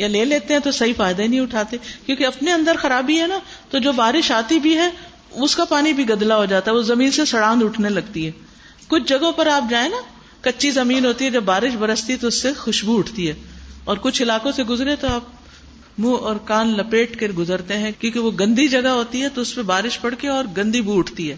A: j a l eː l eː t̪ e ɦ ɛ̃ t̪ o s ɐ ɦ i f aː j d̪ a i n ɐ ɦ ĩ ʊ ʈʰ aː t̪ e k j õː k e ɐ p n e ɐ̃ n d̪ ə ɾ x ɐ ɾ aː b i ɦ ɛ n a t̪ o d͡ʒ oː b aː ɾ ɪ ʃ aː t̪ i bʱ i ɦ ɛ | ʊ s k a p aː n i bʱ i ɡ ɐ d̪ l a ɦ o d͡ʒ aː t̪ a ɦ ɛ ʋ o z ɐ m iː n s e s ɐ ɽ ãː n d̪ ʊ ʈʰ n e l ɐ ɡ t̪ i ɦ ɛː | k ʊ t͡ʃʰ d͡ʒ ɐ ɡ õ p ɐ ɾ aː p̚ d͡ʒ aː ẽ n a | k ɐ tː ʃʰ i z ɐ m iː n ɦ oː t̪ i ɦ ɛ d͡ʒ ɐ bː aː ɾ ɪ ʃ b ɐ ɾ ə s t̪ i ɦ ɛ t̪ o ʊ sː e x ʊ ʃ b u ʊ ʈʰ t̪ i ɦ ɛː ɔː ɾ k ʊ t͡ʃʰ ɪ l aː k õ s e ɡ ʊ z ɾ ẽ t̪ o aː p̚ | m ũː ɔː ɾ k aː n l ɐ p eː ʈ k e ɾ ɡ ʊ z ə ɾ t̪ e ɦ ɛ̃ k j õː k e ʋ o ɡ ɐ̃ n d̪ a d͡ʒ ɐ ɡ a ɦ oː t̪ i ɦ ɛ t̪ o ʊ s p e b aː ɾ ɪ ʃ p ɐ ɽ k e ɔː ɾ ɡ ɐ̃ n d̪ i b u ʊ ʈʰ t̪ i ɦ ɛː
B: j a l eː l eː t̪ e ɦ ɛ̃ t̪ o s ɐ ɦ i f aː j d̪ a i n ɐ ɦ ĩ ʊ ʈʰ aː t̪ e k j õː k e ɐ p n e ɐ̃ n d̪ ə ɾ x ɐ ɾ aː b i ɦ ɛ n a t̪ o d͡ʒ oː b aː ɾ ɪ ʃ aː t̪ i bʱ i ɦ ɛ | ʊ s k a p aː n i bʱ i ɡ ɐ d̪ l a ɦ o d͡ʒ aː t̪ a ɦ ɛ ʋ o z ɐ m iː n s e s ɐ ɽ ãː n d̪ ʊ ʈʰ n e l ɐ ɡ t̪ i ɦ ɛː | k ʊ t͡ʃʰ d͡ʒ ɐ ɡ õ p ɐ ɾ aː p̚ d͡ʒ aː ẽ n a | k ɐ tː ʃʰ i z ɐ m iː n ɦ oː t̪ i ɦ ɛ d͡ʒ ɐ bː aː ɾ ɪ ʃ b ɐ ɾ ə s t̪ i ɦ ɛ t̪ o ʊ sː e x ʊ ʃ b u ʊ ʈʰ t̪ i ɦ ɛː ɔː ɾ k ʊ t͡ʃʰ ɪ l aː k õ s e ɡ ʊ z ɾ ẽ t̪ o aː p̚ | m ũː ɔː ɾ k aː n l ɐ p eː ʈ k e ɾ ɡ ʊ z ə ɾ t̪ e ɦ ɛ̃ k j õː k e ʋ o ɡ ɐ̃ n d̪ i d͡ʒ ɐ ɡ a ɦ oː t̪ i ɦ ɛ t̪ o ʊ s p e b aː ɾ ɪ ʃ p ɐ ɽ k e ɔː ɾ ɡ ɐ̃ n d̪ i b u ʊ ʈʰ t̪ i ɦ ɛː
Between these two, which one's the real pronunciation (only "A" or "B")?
B